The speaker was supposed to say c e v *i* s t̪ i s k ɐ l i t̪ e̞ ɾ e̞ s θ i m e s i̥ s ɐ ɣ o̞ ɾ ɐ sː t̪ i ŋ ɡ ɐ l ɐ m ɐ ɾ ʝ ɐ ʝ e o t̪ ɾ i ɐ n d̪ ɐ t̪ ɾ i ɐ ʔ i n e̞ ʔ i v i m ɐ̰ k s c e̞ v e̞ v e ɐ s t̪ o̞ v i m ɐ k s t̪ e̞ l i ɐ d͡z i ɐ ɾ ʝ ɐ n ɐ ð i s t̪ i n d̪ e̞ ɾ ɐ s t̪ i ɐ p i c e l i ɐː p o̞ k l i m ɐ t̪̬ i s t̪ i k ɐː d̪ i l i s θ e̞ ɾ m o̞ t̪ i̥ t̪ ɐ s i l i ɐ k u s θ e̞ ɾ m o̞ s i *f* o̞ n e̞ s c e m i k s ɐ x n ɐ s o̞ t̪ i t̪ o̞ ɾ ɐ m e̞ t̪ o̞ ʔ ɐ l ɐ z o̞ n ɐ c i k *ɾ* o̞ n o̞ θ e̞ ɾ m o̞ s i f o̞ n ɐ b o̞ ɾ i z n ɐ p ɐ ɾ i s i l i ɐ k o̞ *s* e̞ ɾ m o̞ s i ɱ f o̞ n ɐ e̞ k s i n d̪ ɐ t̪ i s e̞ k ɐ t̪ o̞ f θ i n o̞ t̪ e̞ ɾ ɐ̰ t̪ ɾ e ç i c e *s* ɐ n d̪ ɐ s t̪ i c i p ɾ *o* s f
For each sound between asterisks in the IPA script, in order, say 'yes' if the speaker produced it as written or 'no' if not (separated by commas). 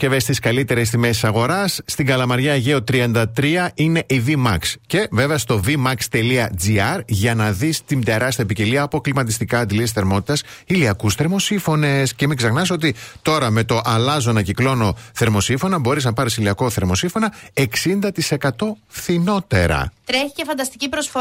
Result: no, yes, no, no, no, yes